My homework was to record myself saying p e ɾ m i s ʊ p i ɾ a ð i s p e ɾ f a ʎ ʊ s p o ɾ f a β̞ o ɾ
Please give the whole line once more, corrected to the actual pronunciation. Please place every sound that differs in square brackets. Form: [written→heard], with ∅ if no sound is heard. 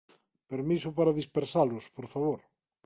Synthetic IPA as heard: p e ɾ m i s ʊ p [i→a] ɾ a ð i s p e ɾ [f→s] a [ʎ→l] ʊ s p o ɾ f a β̞ o ɾ